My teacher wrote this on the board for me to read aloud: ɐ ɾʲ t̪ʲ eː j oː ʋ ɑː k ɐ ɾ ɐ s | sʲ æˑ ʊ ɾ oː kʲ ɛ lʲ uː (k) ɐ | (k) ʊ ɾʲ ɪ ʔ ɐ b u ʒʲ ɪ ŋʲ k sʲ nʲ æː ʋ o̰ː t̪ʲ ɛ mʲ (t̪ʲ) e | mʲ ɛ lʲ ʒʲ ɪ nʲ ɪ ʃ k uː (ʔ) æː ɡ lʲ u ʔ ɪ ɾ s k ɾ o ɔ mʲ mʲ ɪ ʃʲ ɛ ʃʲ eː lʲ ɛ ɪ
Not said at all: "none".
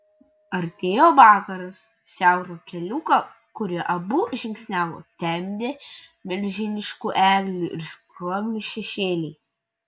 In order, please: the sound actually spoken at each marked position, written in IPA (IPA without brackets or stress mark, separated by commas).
k, k, d̪ʲ, ʔ